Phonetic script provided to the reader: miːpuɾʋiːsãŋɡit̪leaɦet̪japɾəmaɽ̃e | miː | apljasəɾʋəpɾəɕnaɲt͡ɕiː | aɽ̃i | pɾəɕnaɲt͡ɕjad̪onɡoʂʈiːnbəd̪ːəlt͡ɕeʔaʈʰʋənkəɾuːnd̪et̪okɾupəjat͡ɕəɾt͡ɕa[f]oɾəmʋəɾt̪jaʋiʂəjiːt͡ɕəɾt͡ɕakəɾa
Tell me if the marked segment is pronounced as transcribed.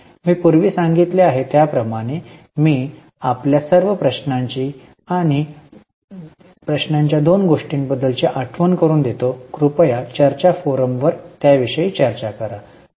yes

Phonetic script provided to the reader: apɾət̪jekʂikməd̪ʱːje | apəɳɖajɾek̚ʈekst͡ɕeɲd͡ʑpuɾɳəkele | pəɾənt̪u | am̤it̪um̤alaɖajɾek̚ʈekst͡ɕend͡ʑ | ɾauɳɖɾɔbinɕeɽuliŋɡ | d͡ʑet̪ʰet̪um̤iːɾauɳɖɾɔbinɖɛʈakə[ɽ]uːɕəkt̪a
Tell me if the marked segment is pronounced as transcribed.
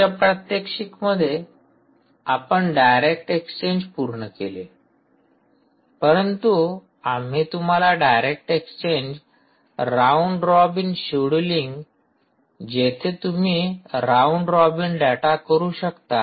no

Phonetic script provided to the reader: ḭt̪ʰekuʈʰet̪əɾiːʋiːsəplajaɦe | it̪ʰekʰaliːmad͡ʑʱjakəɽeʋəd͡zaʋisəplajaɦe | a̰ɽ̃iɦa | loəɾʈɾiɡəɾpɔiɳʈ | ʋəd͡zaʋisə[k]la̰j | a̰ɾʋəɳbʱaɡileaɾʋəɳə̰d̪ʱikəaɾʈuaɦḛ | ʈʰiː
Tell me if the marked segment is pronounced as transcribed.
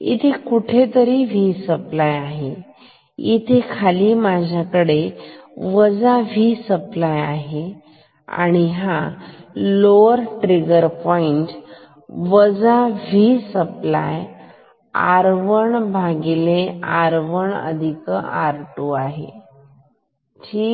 no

